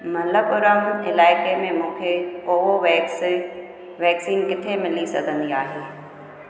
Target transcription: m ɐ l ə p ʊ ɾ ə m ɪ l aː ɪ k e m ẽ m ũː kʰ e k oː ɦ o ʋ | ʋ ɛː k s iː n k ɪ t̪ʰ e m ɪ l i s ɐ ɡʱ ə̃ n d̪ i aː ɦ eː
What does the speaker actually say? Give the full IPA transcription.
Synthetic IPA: m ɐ l ə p ʊ ɾ ə m ɪ l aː ɪ k e m ẽ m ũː kʰ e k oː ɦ o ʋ | ʋ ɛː k s iː n k ɪ t̪ʰ e m ɪ l i s ɐ ɡʱ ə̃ n d̪ i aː ɦ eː